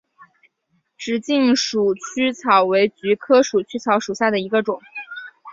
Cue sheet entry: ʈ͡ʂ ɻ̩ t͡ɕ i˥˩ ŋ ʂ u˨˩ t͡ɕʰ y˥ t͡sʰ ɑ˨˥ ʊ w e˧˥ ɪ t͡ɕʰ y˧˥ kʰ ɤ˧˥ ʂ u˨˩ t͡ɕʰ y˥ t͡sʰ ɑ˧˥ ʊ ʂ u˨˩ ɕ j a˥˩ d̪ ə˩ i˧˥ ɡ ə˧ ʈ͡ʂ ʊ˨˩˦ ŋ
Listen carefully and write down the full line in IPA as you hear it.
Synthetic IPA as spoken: ʈ͡ʂ ɻ̩ t͡ɕ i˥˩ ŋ ʂ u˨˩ t͡ɕʰ y˥ t͡sʰ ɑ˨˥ ʊ w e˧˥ ɪ t͡ɕ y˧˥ kʰ ɤ˥ ʂ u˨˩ t͡ɕʰ y˥ t͡sʰ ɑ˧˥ ʊ ʂ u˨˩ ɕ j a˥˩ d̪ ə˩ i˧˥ ɡ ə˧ ʈ͡ʂ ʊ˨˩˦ ŋ